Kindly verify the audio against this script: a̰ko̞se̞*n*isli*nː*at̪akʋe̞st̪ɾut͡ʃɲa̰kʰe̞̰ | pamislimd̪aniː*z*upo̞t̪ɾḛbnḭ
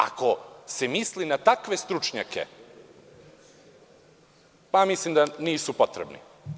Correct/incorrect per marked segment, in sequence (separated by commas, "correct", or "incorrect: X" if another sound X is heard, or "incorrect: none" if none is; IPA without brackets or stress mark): incorrect: m, incorrect: n, incorrect: s